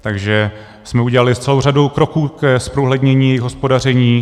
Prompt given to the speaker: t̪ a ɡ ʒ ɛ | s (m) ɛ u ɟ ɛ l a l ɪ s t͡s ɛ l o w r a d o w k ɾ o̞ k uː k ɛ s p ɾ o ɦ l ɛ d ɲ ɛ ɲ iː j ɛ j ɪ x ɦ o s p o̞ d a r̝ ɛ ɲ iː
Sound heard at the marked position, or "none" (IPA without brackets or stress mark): m